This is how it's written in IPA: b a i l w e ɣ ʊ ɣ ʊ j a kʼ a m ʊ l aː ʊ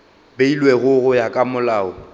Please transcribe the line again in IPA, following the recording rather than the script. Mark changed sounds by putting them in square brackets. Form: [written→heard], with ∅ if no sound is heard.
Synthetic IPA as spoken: b [a→e] i l w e ɣ ʊ ɣ ʊ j a kʼ a m ʊ l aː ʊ